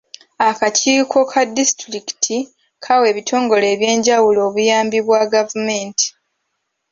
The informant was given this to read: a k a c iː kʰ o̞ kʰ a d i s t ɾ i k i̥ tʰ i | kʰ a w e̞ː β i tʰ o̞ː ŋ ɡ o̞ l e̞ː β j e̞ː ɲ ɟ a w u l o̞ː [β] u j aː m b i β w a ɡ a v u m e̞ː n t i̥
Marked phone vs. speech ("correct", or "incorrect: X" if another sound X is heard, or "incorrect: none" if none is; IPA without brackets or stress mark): correct